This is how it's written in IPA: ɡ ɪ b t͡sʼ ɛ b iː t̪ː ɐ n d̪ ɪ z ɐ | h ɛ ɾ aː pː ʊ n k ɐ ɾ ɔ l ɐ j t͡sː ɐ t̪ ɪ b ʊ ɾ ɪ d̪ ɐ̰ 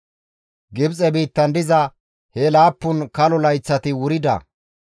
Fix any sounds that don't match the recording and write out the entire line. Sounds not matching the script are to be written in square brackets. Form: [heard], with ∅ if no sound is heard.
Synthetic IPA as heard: ɡ ɪ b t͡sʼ ɛ b iː t̪ː ɐ n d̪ ɪ z ɐ | h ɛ [l] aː pː ʊ n k ɐ [l] ɔ l ɐ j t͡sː ɐ t̪ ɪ [w] ʊ ɾ ɪ d̪ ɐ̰